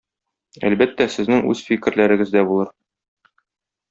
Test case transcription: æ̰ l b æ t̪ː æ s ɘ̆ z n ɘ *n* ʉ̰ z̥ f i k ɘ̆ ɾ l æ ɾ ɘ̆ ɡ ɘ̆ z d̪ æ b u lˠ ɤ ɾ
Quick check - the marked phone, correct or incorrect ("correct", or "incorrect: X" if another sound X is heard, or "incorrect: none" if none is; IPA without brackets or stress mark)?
incorrect: ŋ